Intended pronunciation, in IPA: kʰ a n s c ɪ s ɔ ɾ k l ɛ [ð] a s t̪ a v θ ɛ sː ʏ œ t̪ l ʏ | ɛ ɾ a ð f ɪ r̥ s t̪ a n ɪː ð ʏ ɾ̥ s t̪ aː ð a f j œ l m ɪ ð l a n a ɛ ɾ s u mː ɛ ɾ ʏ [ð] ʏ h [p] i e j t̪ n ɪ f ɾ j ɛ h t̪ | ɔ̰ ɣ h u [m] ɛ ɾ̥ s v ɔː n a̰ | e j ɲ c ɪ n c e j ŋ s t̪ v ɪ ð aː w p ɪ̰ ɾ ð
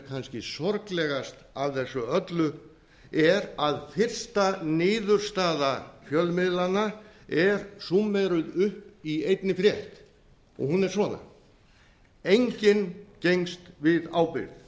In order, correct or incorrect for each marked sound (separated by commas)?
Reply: incorrect, correct, correct, incorrect